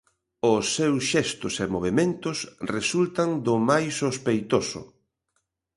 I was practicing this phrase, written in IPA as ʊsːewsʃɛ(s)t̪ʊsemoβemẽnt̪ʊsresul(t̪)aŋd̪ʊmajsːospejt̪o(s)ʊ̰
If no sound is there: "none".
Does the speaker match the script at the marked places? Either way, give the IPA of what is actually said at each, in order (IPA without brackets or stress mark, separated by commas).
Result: s, t̪, s